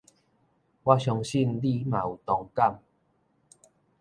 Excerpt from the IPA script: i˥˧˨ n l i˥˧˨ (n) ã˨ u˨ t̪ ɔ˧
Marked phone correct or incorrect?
incorrect